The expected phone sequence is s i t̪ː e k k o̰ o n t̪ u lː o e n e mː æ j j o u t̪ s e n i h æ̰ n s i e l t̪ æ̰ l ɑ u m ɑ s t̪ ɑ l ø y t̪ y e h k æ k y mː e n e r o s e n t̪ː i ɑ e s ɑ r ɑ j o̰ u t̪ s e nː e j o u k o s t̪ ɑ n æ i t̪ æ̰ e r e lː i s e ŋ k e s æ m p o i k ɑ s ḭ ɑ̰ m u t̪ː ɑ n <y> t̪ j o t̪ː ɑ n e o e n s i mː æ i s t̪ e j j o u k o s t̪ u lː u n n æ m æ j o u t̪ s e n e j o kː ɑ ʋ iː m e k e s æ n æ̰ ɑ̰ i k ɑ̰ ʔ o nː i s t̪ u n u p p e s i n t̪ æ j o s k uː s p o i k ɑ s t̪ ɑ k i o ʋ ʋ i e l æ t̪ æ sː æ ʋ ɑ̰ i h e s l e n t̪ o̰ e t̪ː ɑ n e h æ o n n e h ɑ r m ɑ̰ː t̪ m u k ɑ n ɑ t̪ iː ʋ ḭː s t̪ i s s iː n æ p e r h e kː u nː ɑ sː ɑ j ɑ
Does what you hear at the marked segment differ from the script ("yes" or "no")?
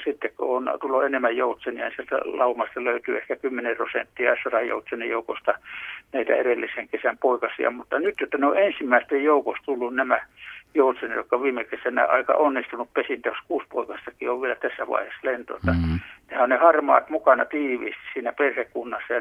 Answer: no